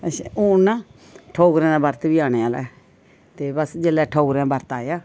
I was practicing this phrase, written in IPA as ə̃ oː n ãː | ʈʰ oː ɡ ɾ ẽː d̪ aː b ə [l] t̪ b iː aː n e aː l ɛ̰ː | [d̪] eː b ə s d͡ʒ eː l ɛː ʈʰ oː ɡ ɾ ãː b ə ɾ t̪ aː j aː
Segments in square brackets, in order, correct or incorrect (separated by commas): incorrect, incorrect